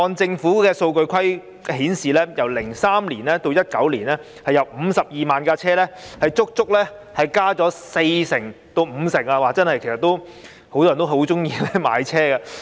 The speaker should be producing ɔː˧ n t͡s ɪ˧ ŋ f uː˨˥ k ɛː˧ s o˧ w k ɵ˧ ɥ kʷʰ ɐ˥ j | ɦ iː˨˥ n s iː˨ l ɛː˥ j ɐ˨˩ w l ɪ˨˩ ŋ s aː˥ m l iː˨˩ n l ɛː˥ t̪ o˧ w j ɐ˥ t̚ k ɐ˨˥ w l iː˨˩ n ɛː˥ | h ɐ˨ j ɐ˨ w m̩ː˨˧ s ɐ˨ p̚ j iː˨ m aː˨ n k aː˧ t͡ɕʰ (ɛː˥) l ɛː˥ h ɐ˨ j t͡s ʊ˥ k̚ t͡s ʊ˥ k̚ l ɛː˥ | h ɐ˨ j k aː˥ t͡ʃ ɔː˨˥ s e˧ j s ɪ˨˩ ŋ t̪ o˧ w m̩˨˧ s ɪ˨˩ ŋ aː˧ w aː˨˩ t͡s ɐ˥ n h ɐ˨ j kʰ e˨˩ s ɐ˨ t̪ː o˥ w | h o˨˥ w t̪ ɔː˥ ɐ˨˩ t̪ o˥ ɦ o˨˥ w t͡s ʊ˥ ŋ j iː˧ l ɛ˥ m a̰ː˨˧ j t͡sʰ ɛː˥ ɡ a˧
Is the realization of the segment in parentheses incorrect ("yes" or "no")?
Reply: no